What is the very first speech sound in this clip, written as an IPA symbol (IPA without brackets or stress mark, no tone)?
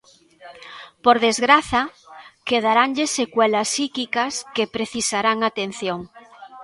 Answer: p